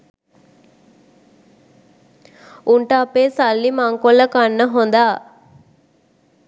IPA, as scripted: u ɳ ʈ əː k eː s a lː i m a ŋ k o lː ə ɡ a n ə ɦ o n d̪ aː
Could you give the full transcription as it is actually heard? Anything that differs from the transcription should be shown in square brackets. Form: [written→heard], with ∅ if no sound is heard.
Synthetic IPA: u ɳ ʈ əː [k→p] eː s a lː i m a ŋ k o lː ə [ɡ→k] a [n→nː] ə ɦ o n d̪ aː